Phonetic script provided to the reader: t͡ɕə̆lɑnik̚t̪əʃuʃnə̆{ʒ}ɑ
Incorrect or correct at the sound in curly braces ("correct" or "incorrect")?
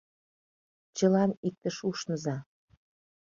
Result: incorrect